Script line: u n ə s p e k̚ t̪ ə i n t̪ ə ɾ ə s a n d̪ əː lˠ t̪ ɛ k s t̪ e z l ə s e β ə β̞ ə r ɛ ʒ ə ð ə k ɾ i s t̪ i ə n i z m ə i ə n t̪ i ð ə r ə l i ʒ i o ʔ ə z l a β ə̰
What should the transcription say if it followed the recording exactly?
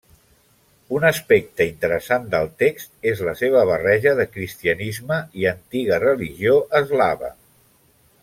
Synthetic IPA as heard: u n ə s p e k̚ t̪ ə i n t̪ ə ɾ ə s a n d̪ ə lˠ t̪ e k s t̪ e z l ə s e β ə β̞ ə r ɛ ʒ ə ð ə k ɾ i s t̪ i ə n i z m ə i ə n t̪ i ɣ ə r ə l i ʒ i o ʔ ə z l a β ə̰